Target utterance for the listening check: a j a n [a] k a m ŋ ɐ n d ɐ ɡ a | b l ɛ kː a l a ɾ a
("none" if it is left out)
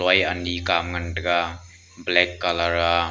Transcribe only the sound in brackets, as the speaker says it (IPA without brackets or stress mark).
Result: i